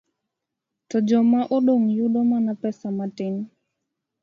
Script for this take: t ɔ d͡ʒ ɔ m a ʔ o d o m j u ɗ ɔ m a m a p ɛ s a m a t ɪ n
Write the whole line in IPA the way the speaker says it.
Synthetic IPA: t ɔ d͡ʒ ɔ m a ʔ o ɗ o ŋ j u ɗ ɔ m a n a p ɛ s a m a t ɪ n